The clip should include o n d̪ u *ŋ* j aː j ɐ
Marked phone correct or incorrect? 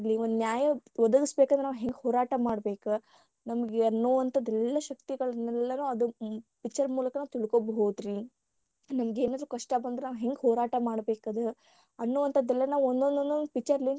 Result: incorrect